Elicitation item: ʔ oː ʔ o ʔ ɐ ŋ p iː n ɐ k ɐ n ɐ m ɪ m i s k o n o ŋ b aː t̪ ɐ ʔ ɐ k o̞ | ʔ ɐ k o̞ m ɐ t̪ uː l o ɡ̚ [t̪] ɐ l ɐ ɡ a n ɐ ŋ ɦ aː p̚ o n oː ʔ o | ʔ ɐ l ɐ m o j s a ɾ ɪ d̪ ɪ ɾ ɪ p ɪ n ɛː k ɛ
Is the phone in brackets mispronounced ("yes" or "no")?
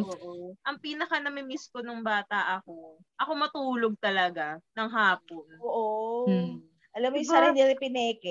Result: no